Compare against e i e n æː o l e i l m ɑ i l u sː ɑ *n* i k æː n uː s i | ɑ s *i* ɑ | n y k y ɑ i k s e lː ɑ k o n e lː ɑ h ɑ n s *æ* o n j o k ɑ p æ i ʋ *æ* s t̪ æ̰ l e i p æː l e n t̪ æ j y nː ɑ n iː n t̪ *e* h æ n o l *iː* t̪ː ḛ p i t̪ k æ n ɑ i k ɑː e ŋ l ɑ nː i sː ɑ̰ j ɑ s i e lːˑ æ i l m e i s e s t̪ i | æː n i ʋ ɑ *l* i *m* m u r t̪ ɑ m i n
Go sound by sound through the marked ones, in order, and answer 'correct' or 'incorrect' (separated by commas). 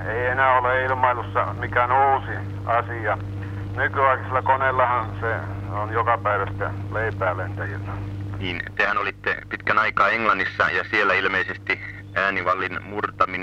incorrect, correct, incorrect, correct, correct, incorrect, incorrect, incorrect